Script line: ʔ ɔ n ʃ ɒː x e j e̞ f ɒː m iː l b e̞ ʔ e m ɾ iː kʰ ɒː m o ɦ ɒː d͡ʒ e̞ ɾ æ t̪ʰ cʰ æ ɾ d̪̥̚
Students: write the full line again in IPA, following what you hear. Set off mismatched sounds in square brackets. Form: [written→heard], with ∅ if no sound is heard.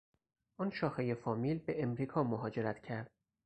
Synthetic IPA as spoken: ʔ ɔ n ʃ ɒː x e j e̞ f ɒː m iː l b e̞ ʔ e m ɾ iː kʰ ɒː m o ɦ ɒː d͡ʒ e̞ ɾ æ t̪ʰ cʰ æ ɾ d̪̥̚